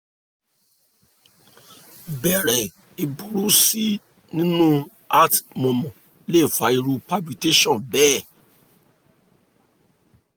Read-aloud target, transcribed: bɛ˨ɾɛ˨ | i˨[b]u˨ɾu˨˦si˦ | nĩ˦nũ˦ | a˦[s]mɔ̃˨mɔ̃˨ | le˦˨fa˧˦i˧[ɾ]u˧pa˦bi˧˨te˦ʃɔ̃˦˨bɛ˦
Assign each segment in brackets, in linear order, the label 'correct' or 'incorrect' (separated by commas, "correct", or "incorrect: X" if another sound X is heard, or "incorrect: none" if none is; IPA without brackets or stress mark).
correct, incorrect: t, correct